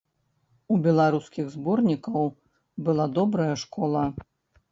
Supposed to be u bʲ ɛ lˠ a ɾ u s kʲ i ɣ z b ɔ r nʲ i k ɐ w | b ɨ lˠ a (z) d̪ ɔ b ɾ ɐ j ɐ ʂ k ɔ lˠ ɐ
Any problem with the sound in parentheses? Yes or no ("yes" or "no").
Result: yes